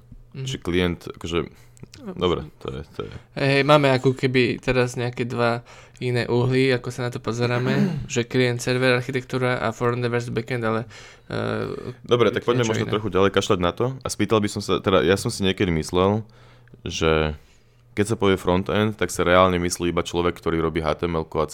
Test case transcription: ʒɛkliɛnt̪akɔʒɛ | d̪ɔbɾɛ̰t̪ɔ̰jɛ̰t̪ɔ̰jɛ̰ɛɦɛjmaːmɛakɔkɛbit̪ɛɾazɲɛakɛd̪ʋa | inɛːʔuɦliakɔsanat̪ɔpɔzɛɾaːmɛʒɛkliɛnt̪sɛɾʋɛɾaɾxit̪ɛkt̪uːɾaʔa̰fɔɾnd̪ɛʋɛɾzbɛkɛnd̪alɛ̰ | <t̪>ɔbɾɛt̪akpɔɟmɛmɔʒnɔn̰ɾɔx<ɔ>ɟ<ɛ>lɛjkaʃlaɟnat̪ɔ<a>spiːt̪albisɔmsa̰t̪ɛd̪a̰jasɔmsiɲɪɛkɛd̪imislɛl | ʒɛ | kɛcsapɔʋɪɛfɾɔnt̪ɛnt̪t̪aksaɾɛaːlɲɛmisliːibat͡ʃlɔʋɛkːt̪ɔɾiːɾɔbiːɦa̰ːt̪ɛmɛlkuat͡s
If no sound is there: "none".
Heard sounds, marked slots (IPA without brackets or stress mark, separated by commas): d̪, u, a, a